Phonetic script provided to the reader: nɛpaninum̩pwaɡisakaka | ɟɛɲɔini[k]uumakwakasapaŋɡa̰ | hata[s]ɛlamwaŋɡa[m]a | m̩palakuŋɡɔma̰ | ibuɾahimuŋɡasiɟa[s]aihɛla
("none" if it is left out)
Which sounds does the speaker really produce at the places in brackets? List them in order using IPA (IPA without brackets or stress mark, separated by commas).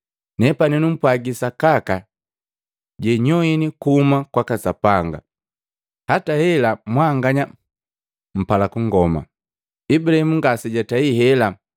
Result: k, h, ɲ, t